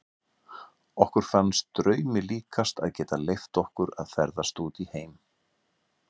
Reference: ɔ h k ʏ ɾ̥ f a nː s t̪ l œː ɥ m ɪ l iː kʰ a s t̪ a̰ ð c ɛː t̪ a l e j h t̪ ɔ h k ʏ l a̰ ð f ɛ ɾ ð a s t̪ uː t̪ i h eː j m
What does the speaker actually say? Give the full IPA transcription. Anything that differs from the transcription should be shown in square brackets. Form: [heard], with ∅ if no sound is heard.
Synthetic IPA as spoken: ɔ h k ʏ ɾ̥ f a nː s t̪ [ɾ] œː ɥ m ɪ l iː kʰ a s t̪ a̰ ð c ɛː t̪ a l e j [f] t̪ ɔ h k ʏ [ɾ] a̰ ð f ɛ ɾ ð a s t̪ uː t̪ i h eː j m